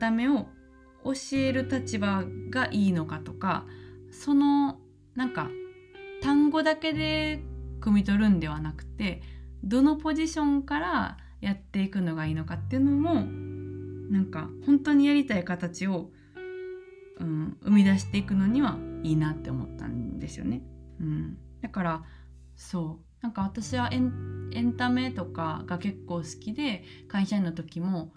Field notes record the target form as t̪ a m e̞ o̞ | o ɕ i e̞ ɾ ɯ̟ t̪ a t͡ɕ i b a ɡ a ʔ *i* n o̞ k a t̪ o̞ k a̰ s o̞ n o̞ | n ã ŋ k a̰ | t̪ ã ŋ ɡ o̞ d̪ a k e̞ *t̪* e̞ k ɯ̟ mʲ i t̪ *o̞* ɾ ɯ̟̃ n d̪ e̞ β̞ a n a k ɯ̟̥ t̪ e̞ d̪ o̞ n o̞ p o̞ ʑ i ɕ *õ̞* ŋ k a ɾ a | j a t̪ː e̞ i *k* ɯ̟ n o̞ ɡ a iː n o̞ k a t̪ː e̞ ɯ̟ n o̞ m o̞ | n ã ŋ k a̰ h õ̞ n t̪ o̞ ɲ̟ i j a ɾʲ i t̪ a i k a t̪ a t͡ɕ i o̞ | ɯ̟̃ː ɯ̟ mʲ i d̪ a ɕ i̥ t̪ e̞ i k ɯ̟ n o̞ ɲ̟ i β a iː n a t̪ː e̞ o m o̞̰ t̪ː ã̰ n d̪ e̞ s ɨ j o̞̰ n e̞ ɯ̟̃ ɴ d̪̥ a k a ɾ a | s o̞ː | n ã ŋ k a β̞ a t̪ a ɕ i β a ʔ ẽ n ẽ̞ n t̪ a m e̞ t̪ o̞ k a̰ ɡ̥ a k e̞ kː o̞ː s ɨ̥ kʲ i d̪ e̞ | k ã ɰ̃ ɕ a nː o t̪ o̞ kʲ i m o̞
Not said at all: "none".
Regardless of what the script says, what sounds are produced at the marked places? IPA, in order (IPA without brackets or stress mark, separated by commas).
iː, d̪, o̞, õ̞, k